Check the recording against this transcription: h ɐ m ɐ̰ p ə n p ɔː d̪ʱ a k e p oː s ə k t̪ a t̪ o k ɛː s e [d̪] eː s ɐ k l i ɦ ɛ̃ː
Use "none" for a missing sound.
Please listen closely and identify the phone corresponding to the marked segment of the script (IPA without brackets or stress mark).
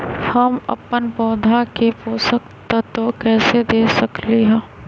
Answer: d̪